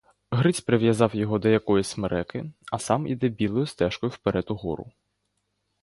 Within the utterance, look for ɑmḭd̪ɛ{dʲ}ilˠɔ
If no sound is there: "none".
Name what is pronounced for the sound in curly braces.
bʲ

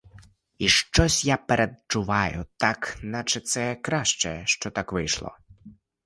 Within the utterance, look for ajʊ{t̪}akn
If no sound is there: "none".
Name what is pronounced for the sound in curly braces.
t̪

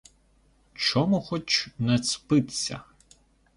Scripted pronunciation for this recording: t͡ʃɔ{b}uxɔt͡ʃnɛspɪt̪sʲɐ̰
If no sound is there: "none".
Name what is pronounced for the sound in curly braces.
m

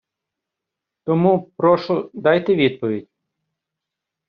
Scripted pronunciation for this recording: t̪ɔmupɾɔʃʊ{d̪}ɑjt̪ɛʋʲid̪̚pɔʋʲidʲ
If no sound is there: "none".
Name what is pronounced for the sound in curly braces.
d̪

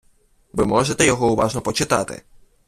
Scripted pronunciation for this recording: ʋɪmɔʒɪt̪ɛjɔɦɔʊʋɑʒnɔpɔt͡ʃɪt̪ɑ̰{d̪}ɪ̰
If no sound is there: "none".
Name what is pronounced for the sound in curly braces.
t̪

